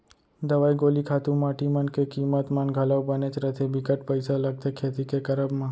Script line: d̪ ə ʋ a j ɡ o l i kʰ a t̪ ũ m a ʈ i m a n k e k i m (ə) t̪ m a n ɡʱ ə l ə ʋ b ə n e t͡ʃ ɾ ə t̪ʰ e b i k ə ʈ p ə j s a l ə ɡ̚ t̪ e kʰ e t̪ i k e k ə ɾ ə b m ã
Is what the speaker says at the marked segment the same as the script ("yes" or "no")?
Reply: yes